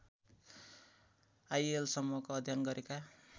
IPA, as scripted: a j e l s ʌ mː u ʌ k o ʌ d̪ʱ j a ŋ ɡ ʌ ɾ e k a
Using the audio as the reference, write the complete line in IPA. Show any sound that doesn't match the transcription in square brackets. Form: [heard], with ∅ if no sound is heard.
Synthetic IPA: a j e l s ʌ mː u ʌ k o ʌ d̪ʱ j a [n] ɡ ʌ ɾ e k a